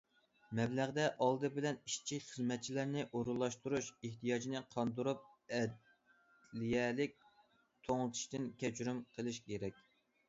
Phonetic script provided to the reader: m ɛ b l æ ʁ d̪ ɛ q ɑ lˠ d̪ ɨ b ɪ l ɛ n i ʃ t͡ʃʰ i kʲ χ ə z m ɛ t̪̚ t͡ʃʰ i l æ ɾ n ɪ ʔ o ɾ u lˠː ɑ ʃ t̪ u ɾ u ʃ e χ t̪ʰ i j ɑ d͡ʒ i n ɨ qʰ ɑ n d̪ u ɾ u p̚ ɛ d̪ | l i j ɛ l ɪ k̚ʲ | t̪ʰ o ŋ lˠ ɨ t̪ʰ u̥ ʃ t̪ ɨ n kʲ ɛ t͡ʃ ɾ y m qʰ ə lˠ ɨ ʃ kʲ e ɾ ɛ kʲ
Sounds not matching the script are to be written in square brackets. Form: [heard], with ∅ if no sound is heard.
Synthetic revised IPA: m ɛ b l æ ʁ d̪ ɛ [ʔ] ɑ lˠ d̪ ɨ b ɪ l ɛ n i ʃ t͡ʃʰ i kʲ χ ə z m ɛ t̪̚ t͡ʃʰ i l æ ɾ n ɪ ʔ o ɾ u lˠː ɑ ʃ t̪ u ɾ u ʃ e [h] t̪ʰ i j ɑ d͡ʒ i n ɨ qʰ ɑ n d̪ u ɾ u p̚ ɛ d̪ | l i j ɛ l ɪ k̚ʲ | t̪ʰ o ŋ lˠ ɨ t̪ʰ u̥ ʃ t̪ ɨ n kʲ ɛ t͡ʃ ɾ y m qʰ ə lˠ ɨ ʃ kʲ e ɾ ɛ kʲ